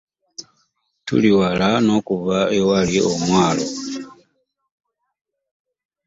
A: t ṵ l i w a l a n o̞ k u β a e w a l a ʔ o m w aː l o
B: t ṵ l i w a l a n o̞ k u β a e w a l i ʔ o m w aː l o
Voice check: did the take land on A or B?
B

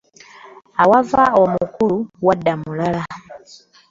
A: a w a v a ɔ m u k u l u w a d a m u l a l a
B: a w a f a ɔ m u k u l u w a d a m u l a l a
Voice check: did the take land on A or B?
A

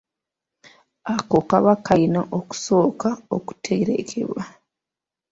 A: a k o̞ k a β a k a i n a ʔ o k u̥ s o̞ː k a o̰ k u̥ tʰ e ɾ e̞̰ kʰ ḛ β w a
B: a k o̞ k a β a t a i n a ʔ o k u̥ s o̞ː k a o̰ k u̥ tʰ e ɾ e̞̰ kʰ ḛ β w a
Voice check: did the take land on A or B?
A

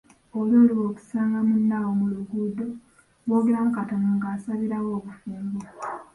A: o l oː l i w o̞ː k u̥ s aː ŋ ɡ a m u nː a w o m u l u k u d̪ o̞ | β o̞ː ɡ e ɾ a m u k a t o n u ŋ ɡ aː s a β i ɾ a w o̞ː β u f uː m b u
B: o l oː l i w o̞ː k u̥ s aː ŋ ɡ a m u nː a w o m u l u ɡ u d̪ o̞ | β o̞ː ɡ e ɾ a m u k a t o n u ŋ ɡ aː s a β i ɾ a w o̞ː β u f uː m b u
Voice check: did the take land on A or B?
B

